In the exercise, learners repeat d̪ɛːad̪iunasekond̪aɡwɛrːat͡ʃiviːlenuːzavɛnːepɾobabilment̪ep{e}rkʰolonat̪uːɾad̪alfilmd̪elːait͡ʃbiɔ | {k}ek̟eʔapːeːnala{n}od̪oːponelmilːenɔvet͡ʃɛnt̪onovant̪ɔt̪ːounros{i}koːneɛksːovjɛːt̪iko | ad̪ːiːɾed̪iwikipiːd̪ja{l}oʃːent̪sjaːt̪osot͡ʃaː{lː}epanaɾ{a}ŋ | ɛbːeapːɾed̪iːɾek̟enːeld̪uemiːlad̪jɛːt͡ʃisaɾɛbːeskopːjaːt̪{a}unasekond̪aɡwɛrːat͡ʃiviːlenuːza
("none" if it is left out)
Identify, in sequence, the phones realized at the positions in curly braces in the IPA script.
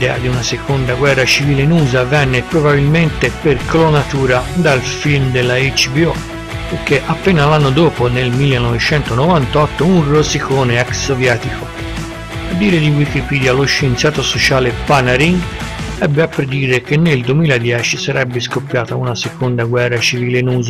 e, p, nː, i, l, l, i, a

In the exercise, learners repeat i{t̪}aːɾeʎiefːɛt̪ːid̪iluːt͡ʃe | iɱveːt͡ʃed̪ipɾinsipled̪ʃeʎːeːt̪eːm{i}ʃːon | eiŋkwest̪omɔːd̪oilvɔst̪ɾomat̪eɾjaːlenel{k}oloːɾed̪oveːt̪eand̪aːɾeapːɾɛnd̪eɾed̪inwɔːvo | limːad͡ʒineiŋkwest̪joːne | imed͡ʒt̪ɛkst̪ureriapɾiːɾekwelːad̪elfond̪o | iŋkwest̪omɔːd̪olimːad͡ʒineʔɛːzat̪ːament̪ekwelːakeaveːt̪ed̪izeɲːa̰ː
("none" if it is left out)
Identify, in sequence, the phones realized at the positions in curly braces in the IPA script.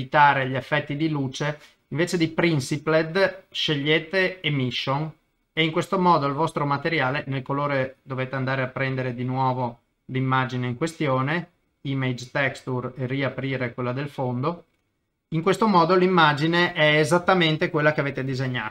t̪, i, k

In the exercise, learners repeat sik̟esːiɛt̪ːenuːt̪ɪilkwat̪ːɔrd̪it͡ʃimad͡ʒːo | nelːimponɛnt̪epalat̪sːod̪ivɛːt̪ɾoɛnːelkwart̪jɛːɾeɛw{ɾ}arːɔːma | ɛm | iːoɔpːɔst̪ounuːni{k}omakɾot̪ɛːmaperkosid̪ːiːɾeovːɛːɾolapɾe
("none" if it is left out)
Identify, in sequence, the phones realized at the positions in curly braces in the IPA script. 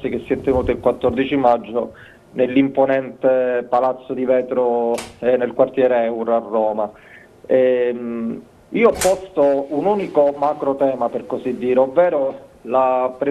ɾ, k

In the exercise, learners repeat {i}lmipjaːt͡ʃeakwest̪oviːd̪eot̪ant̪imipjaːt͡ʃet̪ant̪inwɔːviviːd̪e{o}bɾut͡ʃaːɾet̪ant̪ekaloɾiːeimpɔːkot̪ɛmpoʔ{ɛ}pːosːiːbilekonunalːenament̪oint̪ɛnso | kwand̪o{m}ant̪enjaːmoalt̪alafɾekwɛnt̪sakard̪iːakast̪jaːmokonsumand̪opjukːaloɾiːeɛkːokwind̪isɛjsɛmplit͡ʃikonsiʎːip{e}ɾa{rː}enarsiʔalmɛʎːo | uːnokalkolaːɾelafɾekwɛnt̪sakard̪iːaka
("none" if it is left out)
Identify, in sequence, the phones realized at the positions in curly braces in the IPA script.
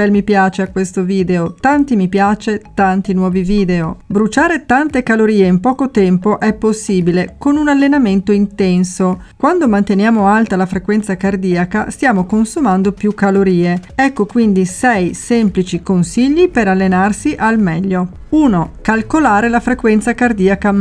ɛ, o, ɛ, m, e, lː

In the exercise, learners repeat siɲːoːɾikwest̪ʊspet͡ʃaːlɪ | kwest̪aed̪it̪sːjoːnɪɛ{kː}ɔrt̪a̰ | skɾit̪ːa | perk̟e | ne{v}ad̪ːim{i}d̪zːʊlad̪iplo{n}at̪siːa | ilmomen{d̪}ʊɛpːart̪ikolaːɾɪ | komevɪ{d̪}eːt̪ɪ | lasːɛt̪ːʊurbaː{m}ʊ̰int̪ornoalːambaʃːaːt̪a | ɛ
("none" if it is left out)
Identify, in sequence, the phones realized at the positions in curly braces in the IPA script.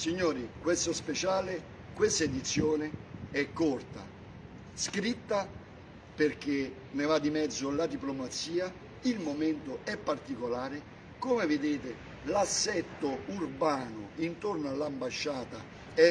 kː, v, ɛ, m, t̪, d̪, n

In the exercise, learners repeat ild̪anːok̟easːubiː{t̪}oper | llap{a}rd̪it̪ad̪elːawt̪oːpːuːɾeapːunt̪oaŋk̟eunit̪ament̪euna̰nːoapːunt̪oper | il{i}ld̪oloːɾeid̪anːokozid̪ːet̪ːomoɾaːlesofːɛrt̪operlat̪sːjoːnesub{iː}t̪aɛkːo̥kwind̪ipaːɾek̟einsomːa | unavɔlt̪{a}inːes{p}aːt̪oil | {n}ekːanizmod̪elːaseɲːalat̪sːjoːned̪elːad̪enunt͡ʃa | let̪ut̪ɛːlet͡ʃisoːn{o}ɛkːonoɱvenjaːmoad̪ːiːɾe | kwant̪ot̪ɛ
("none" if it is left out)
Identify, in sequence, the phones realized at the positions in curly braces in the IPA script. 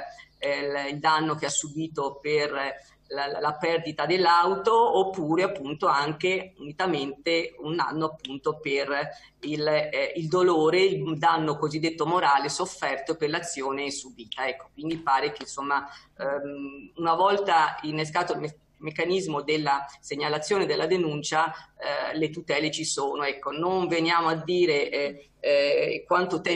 t̪, ɛ, i, iː, a, k, m, o

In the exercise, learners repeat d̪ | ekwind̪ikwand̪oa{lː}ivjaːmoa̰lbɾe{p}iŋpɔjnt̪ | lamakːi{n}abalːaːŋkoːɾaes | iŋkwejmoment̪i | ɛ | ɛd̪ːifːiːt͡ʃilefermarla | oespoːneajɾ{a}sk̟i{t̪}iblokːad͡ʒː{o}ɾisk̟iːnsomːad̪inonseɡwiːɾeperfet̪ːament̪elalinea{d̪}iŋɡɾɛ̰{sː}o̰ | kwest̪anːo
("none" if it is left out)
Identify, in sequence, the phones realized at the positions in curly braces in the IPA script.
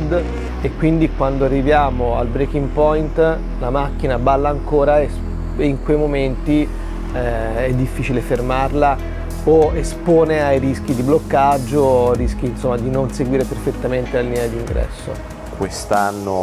rː, k, n, i, d̪, o, d̪, sː

